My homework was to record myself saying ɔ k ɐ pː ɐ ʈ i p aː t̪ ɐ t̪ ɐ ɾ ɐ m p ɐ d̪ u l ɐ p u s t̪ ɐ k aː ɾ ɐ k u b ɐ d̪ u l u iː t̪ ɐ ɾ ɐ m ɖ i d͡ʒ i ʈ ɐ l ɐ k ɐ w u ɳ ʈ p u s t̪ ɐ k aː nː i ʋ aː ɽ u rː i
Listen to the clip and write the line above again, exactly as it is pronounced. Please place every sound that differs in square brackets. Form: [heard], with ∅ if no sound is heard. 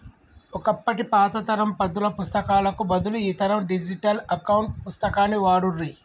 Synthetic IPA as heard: ɔ k ɐ pː ɐ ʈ i p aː t̪ ɐ t̪ ɐ ɾ ɐ m p ɐ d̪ u l ɐ p u s t̪ ɐ k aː [l] ɐ k u b ɐ d̪ u l u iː t̪ ɐ ɾ ɐ m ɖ i d͡ʒ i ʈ ɐ l ɐ k ɐ w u ɳ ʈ p u s t̪ ɐ k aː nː i ʋ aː ɽ u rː i